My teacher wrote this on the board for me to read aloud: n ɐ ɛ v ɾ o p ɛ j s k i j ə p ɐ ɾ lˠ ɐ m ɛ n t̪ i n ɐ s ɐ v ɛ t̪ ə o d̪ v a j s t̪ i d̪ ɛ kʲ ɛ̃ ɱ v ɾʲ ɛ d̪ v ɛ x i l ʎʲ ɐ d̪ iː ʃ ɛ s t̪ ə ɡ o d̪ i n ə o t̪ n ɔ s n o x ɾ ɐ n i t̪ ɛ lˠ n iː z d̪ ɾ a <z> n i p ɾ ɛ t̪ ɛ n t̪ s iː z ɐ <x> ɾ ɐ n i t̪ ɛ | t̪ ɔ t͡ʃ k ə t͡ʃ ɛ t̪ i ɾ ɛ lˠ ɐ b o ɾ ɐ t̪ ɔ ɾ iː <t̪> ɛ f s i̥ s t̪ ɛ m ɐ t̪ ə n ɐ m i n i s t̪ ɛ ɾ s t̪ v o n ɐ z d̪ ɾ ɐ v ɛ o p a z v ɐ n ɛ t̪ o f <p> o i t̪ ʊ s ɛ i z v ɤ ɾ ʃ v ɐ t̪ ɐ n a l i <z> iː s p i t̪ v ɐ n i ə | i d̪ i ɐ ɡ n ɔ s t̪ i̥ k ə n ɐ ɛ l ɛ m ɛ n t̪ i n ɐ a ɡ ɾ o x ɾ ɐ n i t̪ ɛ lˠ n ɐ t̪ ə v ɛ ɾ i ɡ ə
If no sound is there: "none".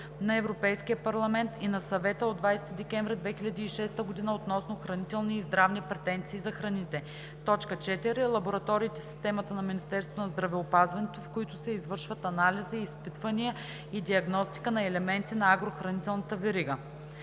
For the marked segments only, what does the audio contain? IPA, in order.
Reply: v, x, t̪, k, z

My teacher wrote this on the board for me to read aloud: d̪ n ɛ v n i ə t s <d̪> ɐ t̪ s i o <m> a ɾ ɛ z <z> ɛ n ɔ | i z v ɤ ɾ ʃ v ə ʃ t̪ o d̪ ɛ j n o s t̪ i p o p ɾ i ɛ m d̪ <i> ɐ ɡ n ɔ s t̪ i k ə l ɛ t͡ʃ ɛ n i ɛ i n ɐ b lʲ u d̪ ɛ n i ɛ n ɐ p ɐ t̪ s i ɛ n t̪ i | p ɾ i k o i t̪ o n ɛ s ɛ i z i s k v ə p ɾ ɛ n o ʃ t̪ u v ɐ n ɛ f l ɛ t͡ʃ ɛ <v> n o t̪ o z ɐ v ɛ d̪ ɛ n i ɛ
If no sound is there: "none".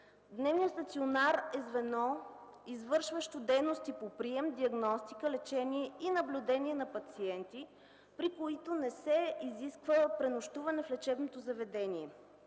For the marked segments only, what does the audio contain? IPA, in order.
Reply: t̪, n, v, i, b

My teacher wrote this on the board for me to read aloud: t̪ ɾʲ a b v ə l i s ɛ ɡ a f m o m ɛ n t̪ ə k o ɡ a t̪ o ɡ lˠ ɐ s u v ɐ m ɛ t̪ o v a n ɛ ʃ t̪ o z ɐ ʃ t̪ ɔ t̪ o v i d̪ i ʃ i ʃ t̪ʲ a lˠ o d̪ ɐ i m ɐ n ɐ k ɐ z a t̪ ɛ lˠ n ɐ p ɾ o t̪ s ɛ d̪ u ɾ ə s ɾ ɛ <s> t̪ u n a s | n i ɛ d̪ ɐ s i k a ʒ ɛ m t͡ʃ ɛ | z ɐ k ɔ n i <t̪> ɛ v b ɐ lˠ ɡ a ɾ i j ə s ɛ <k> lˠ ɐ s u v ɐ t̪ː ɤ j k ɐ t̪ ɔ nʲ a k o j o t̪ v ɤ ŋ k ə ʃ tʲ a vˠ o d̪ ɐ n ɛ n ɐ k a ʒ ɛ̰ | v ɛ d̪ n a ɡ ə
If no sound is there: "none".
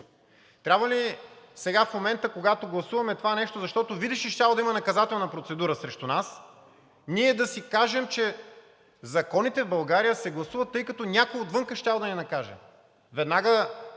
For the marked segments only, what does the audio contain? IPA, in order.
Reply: ʃ, t̪, ɡ

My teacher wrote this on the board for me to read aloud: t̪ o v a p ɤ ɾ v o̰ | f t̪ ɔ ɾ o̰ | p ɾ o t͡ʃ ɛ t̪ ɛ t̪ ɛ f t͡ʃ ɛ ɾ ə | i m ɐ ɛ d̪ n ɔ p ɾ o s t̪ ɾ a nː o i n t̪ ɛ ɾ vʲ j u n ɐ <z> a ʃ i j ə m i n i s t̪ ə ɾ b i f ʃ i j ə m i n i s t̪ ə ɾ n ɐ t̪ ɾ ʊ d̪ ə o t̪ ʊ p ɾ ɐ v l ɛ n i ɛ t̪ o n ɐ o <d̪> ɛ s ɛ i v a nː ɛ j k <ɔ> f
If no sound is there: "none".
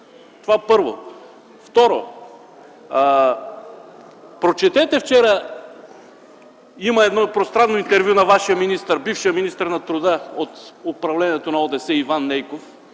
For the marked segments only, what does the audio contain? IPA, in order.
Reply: v, d̪, o

